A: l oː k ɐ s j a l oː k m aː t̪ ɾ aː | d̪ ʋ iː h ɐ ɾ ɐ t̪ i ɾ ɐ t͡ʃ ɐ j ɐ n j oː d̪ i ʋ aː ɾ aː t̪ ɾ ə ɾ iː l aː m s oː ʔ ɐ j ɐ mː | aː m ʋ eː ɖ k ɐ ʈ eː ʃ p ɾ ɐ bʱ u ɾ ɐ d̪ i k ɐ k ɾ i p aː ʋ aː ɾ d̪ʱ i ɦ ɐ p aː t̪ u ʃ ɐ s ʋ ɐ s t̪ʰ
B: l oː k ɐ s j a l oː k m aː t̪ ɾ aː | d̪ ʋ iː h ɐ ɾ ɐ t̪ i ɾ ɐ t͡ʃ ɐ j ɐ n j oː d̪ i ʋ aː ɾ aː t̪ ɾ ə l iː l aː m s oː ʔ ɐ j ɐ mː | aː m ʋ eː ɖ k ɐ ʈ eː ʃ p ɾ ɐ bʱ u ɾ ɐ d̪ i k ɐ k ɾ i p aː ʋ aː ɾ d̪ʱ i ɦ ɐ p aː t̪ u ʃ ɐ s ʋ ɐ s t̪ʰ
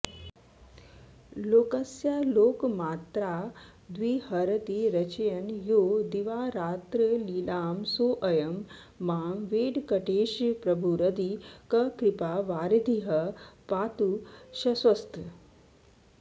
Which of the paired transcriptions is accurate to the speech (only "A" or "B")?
B